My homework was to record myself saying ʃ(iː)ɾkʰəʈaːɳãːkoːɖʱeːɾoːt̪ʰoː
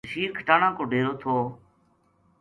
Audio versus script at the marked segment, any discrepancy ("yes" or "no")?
no